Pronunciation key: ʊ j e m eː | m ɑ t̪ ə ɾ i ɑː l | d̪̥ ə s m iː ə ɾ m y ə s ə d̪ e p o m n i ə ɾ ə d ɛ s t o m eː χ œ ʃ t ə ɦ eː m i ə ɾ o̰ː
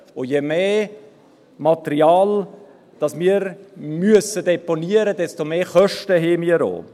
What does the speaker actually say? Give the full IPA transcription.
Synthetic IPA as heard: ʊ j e m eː | m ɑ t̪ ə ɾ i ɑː l | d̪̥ ɑ s m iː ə ɾ m y ə s ə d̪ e p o n i ə ɾ ə d ɛ s t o m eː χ œ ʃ t ə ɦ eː m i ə ɾ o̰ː